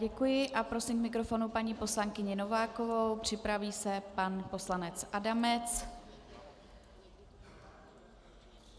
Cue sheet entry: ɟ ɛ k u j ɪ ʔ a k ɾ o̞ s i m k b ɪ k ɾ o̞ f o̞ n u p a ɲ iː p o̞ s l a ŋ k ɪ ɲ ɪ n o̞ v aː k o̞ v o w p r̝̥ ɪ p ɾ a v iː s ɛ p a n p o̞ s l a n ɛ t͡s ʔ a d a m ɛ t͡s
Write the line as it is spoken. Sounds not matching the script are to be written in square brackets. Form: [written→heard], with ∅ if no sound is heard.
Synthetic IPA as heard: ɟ ɛ k u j ɪ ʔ a [k→p] ɾ o̞ s i m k [b→m] ɪ k ɾ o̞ f o̞ n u p a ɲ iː p o̞ s l a ŋ k ɪ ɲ ɪ n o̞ v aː k o̞ v o w p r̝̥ ɪ p ɾ a v iː s ɛ p a n p o̞ s l a n ɛ t͡s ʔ a d a m ɛ t͡s